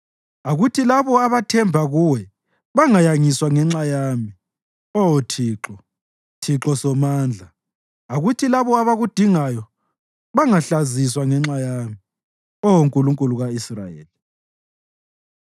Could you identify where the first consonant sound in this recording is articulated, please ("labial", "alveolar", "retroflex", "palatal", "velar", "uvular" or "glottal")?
velar